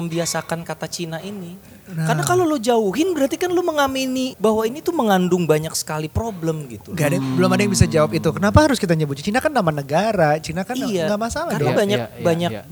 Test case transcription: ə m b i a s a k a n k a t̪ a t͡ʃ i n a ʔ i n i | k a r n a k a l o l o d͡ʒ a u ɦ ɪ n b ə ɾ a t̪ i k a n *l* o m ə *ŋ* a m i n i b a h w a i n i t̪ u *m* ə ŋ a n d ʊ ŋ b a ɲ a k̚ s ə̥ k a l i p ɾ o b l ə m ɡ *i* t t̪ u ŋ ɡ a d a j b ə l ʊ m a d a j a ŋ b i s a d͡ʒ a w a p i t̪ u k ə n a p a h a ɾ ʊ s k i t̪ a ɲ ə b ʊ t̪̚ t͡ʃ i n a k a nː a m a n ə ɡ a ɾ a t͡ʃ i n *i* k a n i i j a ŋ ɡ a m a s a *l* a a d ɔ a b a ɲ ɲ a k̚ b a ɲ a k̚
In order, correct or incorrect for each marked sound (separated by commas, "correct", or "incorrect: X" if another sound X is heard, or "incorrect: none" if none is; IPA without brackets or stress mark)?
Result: correct, correct, correct, correct, incorrect: a, correct